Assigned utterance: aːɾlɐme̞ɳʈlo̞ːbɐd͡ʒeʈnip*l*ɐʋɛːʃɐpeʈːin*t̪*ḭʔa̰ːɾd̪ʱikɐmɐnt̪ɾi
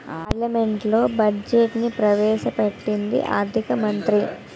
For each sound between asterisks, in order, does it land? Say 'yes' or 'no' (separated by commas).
no, no